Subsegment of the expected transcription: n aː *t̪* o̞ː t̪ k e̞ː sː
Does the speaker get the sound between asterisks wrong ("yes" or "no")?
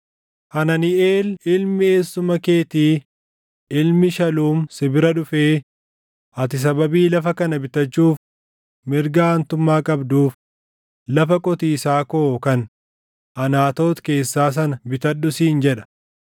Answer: no